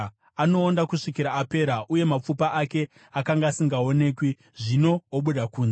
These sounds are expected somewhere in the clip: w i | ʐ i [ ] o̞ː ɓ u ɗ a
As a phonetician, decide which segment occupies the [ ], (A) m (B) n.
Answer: B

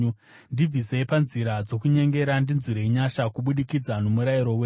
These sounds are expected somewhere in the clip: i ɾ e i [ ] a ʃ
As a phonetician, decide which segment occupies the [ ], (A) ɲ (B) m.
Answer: A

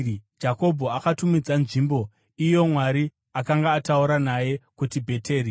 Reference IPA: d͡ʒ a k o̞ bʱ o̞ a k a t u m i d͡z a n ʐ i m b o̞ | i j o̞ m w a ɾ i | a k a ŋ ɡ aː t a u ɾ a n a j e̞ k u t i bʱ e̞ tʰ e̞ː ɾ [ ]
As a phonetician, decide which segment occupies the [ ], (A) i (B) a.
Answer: A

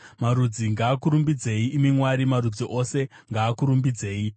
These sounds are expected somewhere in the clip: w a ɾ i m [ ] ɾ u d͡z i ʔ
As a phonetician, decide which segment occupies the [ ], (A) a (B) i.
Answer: A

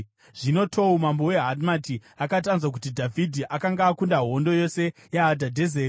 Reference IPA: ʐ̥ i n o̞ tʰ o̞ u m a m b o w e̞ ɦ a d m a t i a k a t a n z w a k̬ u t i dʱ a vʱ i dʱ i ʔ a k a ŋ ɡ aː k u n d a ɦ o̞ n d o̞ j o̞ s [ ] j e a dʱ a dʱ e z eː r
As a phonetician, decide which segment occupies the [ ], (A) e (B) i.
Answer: A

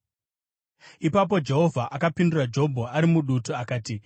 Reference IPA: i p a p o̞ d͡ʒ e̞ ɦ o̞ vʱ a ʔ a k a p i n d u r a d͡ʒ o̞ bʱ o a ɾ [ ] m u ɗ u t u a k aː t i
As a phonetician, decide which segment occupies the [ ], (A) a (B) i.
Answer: B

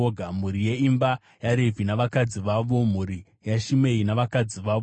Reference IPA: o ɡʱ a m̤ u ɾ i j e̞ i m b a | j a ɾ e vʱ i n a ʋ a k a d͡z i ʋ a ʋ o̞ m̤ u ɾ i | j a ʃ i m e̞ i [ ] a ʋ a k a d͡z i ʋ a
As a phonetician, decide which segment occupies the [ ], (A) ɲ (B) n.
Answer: B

